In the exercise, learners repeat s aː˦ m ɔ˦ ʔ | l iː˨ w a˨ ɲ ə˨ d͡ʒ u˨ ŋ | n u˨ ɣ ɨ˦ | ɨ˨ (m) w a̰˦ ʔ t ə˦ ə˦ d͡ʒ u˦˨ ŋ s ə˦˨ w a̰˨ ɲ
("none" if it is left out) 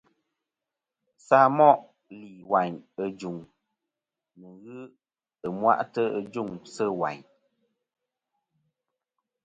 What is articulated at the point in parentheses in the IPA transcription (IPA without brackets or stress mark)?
m